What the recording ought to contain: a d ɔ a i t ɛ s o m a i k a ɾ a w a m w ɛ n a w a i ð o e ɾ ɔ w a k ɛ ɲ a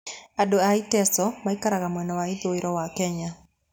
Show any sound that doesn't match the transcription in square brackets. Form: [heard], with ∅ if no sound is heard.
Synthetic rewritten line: a d [o] a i t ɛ s [ɔ] m a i k a ɾ a [ɣ] a m w ɛ n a w a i ð o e ɾ ɔ w a k ɛ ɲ a